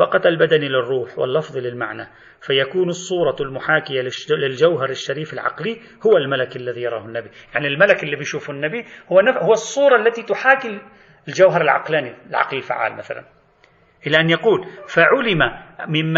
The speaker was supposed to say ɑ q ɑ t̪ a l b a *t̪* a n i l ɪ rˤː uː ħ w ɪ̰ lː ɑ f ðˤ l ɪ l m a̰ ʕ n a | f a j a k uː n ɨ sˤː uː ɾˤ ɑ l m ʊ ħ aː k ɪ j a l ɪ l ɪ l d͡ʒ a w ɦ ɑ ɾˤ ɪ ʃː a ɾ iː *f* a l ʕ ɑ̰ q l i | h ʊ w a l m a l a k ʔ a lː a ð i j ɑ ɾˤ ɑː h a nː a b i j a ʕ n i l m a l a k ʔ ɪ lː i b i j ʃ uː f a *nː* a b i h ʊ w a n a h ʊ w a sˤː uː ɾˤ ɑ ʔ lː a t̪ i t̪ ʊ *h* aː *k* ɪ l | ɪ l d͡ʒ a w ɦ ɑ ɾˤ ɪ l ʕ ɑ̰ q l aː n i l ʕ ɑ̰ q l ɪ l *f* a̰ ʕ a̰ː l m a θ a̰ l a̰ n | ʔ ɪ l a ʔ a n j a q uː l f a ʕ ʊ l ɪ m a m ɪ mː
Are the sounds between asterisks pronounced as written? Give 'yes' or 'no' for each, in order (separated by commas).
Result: no, yes, yes, no, yes, yes